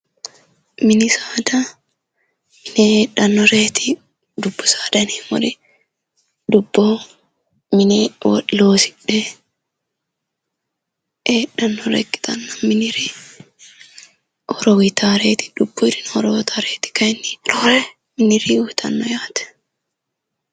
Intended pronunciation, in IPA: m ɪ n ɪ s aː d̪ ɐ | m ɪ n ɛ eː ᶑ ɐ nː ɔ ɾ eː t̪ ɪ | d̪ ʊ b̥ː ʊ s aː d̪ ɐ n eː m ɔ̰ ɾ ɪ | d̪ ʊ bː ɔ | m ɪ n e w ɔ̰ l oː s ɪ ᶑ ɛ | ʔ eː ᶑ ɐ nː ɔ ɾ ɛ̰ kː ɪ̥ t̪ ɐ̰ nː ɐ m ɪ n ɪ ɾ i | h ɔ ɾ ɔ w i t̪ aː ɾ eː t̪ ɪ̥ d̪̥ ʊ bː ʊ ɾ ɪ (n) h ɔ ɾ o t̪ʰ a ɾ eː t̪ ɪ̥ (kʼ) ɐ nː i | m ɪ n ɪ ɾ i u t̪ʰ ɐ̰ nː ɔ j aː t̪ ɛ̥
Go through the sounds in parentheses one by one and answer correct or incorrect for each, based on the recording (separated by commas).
correct, incorrect